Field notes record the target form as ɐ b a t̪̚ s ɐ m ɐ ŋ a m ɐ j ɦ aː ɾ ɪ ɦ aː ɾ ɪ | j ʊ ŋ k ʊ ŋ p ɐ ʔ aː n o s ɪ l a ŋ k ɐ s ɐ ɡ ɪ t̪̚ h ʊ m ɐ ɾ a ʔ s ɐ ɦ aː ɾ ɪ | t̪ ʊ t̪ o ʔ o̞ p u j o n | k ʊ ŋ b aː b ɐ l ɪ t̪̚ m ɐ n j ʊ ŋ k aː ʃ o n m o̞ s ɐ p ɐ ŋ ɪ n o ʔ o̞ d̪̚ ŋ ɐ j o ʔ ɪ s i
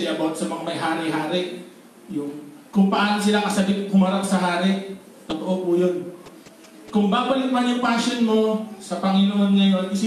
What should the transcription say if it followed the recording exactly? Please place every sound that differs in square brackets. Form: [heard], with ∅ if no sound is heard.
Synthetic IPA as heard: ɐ b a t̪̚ s ɐ m ɐ ŋ a m ɐ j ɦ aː ɾ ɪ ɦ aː ɾ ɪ | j ʊ ŋ k ʊ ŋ p ɐ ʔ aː n o s ɪ l a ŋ k ɐ s ɐ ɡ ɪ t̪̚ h ʊ m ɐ ɾ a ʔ s ɐ ɦ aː ɾ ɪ | t̪ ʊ t̪ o ʔ o̞ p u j o n | k ʊ ŋ b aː b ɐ l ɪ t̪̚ m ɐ n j ʊ ŋ [p] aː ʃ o n m o̞ s ɐ p ɐ ŋ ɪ n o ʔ o̞ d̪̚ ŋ ɐ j o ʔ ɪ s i